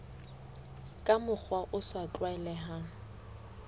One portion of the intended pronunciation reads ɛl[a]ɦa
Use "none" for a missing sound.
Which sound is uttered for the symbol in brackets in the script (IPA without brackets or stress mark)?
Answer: ɛ